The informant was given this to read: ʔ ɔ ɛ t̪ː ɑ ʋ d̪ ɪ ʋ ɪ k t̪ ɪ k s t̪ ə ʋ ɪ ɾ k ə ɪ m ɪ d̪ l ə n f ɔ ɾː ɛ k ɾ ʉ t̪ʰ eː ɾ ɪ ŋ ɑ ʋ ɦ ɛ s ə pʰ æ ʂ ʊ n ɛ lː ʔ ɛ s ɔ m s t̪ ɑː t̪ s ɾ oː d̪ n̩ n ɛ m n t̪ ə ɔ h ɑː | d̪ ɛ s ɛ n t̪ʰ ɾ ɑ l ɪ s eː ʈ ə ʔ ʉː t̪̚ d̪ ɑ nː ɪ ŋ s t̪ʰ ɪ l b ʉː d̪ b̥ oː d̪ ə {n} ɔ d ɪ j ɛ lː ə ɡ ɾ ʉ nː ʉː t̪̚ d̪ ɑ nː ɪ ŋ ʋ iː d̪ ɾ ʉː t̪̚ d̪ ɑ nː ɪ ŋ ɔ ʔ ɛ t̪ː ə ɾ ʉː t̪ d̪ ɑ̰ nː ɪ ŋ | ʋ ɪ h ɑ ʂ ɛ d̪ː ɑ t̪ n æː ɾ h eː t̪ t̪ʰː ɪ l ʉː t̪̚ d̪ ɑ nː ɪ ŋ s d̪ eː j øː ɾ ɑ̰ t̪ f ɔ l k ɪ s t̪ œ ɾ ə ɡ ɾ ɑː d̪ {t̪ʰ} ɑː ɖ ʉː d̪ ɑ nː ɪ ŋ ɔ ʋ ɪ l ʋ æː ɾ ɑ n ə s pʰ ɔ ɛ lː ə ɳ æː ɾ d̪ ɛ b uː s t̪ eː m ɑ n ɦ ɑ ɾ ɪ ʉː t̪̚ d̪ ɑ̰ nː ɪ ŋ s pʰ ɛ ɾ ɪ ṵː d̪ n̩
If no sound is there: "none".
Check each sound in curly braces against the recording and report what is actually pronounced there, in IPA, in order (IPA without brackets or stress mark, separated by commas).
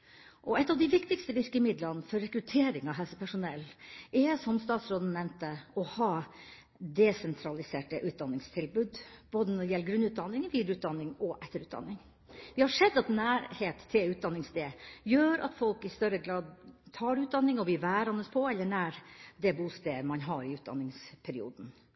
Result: n, t̪ʰ